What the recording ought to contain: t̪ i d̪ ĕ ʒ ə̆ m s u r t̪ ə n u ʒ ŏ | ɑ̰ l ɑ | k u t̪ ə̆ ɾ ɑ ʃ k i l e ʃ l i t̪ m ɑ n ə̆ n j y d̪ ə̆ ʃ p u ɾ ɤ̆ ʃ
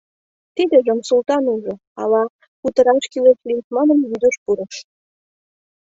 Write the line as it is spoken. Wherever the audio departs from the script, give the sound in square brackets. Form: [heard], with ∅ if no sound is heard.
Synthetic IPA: t̪ i d̪ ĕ ʒ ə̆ m s u [l] t̪ [ɑ] n u ʒ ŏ | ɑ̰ l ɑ | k u t̪ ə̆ ɾ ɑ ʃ k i l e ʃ l i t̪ m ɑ n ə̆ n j y d̪ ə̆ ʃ p u ɾ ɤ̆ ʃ